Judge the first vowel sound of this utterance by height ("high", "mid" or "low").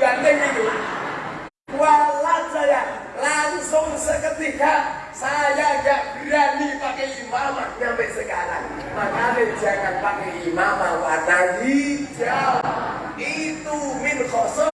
low